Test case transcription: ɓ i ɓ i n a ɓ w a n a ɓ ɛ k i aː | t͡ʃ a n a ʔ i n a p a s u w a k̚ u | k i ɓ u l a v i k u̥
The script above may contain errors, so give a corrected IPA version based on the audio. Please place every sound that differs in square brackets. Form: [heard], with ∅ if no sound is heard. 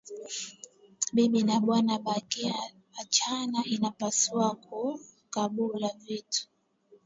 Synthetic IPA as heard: ɓ i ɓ i n a ɓ w a n a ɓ [a] k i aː | t͡ʃ a n a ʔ i n a p a s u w a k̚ u | k [a] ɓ u l a v i [t] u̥